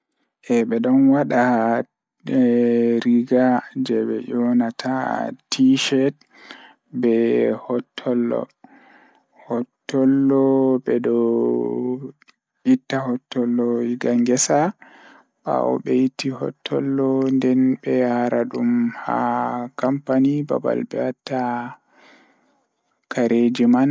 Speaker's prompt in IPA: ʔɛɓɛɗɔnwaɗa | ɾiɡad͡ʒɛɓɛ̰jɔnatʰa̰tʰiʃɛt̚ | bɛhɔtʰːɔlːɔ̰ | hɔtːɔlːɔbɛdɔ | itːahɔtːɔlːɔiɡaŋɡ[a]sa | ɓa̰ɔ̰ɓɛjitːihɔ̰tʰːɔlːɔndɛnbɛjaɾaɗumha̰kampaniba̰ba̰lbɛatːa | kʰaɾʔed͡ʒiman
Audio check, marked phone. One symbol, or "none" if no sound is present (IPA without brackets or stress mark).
ɛ